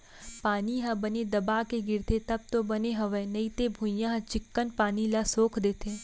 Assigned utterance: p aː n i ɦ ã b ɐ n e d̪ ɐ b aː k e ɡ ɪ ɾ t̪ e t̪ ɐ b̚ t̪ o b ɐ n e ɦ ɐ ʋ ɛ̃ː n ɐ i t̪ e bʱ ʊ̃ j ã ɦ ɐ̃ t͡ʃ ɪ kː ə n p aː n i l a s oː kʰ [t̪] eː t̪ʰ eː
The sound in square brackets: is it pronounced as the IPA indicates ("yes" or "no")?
no